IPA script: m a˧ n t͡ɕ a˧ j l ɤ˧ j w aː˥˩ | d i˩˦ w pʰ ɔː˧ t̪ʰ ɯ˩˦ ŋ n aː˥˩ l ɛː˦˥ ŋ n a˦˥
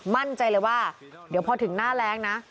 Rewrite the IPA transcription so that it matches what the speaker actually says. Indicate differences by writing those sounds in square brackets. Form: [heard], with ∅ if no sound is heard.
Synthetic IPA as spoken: m [a˥˩] n t͡ɕ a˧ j l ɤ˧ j w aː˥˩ | d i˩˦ w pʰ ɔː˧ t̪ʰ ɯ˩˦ ŋ n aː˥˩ l ɛː˦˥ ŋ n a˦˥